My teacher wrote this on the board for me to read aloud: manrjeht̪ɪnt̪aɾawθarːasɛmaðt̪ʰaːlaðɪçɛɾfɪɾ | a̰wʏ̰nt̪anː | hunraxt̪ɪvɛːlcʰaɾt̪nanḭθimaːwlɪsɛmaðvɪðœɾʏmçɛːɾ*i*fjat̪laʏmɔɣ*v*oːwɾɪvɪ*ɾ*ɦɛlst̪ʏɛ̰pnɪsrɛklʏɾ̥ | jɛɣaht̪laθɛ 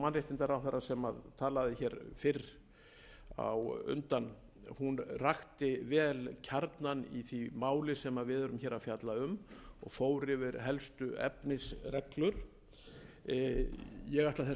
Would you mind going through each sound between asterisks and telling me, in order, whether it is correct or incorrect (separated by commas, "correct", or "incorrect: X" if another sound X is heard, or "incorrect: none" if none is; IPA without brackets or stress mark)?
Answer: incorrect: a, incorrect: f, correct